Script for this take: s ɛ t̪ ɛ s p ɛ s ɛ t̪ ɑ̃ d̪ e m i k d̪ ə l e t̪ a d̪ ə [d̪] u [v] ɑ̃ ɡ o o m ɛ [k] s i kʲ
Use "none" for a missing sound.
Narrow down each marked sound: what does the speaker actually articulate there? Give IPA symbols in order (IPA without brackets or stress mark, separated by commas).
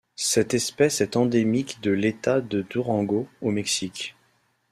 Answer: d̪, ʁ, k